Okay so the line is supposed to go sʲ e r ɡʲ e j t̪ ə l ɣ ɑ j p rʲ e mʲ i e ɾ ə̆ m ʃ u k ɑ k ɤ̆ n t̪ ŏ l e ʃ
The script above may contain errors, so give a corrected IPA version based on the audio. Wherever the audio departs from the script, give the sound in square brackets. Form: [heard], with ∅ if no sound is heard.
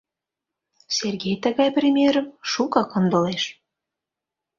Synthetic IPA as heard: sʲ e r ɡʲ e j t̪ ə [∅] ɣ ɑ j p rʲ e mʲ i e ɾ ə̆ m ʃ u k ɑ k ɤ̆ n [d̪] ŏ l e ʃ